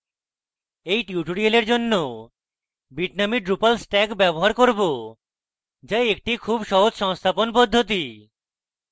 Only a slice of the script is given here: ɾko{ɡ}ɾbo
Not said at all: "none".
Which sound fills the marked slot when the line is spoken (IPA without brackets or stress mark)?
none